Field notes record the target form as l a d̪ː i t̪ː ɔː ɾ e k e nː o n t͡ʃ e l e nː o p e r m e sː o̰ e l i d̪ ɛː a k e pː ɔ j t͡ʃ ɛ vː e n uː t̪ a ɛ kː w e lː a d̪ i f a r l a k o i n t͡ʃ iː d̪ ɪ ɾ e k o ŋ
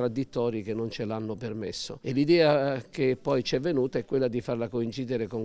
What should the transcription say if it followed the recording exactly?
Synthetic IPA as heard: ɾ a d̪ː i t̪ː ɔː ɾ i k e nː o n t͡ʃ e l a nː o p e r m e sː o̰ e l i d̪ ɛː a k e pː ɔ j t͡ʃ ɛ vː e n uː t̪ a ɛ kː w e lː a d̪ i f a r l a k o i n t͡ʃ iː d̪ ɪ ɾ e k o ŋ